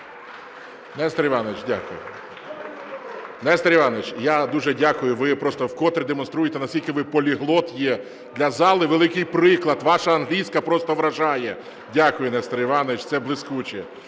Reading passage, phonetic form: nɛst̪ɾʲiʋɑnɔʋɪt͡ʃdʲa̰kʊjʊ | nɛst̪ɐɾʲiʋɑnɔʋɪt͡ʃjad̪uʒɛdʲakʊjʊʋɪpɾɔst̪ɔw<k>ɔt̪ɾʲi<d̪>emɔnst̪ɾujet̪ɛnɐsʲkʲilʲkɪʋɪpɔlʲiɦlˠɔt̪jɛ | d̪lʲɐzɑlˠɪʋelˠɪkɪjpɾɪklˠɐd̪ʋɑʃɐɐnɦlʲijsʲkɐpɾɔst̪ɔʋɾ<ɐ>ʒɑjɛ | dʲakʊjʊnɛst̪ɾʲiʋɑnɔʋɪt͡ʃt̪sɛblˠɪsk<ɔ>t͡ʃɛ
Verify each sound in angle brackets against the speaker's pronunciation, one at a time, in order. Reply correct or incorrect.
correct, correct, correct, incorrect

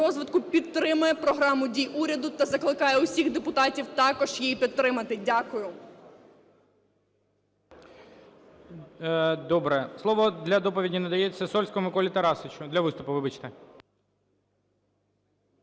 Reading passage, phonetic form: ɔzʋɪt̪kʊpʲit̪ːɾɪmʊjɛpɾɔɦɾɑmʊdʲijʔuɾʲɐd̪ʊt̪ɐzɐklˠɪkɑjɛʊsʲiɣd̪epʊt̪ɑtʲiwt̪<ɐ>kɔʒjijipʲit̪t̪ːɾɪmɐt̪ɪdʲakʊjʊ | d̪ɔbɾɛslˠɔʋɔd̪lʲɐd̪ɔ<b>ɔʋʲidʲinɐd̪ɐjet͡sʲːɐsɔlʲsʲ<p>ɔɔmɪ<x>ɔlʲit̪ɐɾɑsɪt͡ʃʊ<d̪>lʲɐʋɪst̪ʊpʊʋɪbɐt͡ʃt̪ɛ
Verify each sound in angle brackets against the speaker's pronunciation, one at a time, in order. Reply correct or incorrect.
incorrect, incorrect, incorrect, incorrect, correct

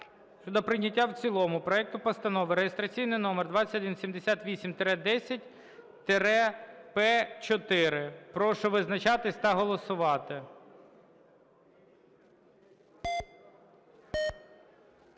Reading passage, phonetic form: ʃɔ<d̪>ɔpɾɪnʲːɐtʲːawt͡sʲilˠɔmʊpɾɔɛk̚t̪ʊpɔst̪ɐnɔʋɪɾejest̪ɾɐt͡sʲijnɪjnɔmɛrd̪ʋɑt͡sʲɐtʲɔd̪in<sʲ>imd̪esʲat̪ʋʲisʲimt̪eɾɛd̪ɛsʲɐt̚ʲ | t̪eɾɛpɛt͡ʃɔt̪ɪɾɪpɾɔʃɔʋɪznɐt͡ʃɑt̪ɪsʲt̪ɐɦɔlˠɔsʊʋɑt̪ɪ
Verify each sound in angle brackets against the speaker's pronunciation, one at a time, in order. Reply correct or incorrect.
correct, correct

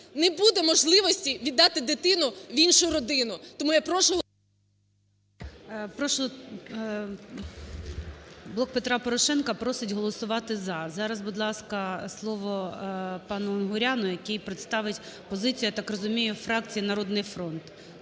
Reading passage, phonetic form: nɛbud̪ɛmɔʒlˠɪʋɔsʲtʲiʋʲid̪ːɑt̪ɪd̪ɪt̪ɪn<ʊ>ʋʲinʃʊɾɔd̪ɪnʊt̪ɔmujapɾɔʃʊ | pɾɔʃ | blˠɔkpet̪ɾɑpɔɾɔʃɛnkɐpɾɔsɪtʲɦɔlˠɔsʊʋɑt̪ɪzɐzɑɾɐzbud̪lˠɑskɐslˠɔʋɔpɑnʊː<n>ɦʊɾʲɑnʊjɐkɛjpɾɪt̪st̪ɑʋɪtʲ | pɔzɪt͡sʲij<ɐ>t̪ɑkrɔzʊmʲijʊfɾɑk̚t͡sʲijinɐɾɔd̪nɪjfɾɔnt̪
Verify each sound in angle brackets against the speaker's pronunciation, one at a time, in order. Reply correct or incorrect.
correct, correct, correct

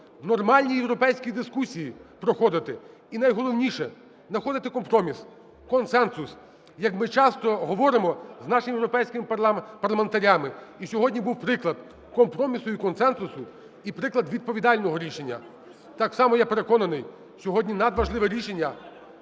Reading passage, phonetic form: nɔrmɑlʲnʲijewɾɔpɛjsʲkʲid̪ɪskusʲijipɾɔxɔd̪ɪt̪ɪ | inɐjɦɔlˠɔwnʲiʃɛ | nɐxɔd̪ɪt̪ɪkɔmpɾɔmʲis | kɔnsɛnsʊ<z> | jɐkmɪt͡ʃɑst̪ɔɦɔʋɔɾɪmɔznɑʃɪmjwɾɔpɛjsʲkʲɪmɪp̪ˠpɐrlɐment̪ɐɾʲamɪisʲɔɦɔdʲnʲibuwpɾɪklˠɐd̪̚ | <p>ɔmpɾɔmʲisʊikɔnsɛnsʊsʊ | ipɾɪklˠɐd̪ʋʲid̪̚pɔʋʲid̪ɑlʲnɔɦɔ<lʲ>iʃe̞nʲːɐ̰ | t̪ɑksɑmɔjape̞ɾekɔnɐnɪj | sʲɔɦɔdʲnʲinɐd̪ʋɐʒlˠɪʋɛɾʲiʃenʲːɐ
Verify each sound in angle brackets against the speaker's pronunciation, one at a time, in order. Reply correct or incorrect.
incorrect, incorrect, incorrect

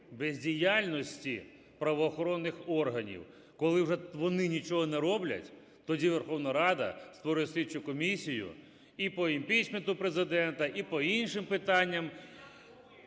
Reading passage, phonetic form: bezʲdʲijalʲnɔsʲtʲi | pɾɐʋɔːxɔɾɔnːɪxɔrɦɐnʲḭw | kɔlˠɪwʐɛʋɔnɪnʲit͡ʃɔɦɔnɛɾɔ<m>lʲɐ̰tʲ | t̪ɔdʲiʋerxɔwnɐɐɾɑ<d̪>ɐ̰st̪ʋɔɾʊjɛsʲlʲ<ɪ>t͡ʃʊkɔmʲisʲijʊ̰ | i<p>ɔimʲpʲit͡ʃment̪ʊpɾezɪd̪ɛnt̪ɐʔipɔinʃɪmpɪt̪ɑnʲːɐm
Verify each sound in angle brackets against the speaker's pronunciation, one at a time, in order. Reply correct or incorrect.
incorrect, correct, incorrect, correct

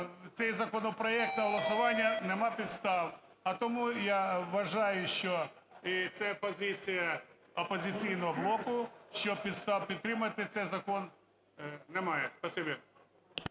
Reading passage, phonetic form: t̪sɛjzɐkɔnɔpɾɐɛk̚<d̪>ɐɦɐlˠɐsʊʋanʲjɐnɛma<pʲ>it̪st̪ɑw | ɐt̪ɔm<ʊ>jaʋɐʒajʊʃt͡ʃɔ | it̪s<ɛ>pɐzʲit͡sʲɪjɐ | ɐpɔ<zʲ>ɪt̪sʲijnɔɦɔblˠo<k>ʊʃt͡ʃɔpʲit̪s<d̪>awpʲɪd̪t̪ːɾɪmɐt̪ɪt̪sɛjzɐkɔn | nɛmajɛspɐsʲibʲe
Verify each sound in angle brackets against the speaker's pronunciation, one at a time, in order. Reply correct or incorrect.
incorrect, correct, incorrect, correct, correct, correct, incorrect

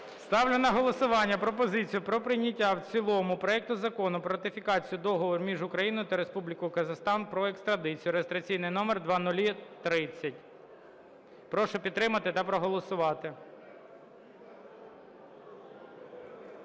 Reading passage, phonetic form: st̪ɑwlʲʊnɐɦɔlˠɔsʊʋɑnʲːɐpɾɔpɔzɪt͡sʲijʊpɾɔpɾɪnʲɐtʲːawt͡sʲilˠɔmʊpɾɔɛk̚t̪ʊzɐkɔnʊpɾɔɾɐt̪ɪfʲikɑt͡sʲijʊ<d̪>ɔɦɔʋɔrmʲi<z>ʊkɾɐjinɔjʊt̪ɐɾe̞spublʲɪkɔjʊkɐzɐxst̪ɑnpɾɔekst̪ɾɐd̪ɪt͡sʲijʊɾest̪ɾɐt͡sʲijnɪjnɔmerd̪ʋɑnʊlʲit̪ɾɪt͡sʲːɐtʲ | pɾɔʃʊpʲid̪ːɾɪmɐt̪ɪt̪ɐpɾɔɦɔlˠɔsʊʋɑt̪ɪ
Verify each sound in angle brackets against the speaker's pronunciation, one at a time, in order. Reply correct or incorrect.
correct, incorrect

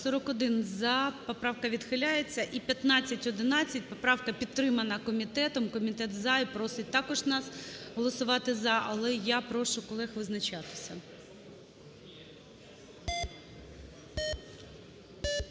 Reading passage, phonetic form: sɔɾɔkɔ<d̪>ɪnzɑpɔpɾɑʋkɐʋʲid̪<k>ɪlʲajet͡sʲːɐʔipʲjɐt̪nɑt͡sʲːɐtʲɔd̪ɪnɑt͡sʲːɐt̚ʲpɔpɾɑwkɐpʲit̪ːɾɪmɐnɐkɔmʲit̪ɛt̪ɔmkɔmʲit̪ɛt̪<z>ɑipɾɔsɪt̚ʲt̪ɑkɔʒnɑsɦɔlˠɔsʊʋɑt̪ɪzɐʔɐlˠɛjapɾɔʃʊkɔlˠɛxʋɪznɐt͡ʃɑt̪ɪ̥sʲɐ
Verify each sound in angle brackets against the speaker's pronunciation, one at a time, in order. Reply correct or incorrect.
correct, incorrect, correct

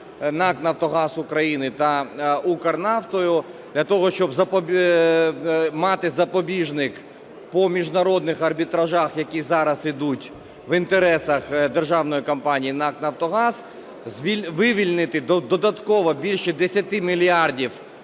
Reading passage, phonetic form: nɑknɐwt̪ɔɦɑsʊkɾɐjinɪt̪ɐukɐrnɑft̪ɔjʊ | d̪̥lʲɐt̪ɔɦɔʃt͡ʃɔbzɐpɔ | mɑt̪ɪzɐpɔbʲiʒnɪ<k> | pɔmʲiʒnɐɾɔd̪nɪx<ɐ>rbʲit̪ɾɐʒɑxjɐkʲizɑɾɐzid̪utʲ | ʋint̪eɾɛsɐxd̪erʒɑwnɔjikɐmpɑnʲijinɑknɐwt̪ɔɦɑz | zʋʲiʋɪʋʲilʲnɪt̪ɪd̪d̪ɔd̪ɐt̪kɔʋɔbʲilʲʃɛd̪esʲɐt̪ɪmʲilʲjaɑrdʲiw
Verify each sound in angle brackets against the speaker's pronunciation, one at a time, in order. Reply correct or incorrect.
correct, correct

